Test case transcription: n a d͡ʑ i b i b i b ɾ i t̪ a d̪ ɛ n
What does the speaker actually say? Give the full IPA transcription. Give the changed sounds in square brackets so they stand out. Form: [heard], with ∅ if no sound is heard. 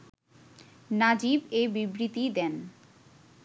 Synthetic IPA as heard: n a d͡ʑ i b [e] b i b ɾ i t̪ [i] d̪ ɛ n